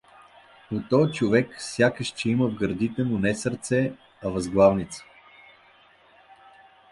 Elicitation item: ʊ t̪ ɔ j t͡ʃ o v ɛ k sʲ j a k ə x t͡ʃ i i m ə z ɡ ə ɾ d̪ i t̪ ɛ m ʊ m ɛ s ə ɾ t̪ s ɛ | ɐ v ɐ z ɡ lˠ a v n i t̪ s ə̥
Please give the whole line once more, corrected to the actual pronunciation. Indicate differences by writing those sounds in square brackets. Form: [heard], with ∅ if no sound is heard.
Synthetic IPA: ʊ t̪ ɔ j t͡ʃ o v ɛ k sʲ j a k ə [ʃ] t͡ʃ [ɛ] i m ə [v] ɡ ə ɾ d̪ i t̪ ɛ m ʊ [n] ɛ s ə ɾ t̪ s ɛ | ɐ v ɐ z ɡ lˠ a v n i t̪ s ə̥